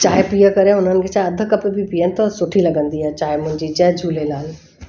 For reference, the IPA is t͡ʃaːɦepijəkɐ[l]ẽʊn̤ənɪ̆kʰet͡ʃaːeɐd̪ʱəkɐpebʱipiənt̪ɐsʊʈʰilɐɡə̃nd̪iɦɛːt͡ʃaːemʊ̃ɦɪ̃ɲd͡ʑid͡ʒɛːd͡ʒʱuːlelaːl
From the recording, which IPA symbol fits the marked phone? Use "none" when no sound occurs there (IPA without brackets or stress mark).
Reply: ɾ